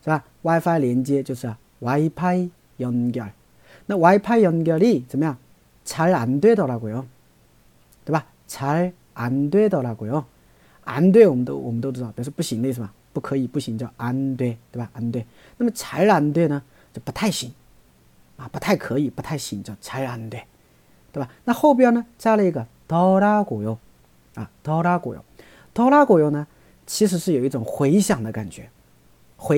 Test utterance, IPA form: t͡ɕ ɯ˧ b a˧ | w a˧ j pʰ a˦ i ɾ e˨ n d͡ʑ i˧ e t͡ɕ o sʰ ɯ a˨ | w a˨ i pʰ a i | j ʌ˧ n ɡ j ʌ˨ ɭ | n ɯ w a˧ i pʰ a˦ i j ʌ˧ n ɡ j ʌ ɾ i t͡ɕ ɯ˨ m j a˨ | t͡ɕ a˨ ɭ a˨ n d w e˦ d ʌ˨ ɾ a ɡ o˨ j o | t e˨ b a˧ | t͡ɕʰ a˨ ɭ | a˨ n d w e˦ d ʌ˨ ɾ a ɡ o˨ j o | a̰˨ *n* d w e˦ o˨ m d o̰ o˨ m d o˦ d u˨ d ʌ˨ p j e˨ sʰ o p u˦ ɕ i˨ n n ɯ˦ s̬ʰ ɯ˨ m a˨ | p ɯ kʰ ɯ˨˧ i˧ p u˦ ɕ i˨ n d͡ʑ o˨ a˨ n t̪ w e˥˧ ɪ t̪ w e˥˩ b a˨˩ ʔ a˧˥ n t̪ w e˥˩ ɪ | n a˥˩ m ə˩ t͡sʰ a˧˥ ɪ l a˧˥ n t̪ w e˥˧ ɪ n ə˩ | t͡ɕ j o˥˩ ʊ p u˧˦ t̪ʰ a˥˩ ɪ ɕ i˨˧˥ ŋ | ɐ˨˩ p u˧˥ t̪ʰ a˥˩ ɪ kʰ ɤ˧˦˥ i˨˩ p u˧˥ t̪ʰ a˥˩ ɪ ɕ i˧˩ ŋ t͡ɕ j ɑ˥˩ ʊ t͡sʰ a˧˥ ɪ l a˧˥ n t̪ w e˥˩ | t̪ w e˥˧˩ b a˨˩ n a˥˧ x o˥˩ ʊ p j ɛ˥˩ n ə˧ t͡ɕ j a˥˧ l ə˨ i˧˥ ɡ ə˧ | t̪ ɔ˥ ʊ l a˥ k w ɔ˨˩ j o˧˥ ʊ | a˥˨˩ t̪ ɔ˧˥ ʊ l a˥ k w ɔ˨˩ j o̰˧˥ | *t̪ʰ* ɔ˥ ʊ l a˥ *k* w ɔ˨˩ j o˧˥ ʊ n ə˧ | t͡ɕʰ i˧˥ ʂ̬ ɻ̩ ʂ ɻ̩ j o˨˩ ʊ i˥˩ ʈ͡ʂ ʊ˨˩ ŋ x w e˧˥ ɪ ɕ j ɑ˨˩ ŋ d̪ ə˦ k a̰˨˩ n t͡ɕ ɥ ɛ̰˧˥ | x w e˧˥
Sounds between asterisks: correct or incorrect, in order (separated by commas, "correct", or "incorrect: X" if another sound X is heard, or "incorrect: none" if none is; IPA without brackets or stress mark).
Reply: correct, incorrect: t̪, correct